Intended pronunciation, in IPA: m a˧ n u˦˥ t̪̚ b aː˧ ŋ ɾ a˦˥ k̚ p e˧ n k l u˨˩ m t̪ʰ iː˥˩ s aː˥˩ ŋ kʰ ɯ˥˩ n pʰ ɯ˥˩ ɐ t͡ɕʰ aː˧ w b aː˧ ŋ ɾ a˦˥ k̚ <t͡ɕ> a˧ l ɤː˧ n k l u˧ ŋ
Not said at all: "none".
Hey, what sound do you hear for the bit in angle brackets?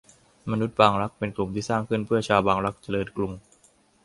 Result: t͡ɕ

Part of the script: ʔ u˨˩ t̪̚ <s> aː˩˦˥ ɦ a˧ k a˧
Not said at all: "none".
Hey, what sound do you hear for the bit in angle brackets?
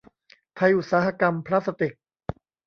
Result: s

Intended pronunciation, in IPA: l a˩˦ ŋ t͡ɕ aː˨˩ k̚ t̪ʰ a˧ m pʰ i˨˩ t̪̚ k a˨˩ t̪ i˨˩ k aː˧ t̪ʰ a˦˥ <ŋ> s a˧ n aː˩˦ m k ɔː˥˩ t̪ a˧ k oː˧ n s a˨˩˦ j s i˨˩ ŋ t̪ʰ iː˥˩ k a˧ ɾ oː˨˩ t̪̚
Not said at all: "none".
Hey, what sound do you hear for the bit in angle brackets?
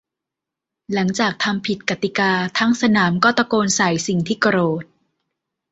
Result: ŋ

